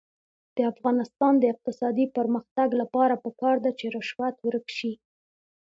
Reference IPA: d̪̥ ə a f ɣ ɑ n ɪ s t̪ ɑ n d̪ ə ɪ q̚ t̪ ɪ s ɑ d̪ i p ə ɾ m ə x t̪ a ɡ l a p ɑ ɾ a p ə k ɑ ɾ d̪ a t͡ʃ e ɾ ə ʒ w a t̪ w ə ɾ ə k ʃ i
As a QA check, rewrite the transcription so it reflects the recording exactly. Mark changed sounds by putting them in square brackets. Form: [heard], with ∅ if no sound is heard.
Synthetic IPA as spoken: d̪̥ ə a f ɣ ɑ n ɪ s t̪ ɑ n d̪ ə ɪ q̚ t̪ ɪ s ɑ d̪ i p ə ɾ m ə x t̪ a ɡ l a p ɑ ɾ a p ə k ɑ ɾ d̪ a t͡ʃ e ɾ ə [ʃ] w a t̪ w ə ɾ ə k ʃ i